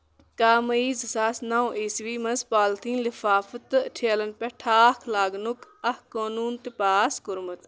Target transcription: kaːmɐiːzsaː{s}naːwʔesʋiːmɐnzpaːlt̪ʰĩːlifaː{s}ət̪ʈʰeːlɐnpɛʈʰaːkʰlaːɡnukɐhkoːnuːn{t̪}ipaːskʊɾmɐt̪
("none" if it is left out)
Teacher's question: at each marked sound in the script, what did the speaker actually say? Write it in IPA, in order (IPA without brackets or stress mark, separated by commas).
s, f, t̪